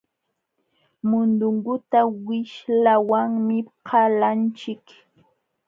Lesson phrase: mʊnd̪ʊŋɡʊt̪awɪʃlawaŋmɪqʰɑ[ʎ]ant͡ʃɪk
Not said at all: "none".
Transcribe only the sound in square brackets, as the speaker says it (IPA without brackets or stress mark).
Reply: l